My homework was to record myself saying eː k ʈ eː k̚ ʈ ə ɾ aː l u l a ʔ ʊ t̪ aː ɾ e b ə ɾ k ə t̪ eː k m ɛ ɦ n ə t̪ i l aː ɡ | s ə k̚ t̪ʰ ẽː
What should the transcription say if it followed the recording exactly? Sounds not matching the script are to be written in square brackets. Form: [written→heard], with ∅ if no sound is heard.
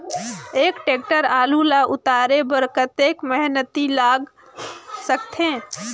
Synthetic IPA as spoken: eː k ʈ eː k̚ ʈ ə ɾ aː l u l a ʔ ʊ t̪ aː ɾ e b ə ɾ k ə t̪ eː k m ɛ ɦ n ə t̪ i l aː ɡ | s ə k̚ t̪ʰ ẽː